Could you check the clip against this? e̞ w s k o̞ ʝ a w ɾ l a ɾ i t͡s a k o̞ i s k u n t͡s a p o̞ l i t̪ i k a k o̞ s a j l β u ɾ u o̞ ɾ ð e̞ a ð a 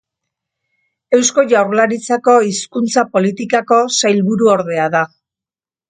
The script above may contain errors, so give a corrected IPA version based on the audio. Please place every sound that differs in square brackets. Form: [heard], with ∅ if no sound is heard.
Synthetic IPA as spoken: e̞ w s k o̞ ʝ a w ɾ l a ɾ i t͡s a k o̞ i s k u n t͡s a p o̞ l i t̪ i k a k o̞ s a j l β u ɾ u o̞ ɾ ð e̞ a ð a